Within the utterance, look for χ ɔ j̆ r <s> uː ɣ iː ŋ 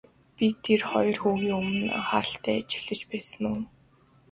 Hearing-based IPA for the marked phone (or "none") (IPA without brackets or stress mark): x